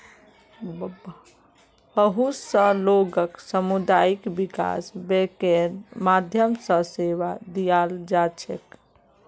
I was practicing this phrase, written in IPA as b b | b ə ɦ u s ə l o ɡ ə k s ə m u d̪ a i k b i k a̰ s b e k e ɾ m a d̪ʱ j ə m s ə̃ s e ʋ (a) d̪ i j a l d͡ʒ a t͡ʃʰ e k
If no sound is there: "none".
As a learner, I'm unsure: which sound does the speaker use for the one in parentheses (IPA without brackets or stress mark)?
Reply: a